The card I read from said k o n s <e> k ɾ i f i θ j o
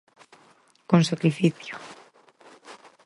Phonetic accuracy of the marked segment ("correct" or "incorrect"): incorrect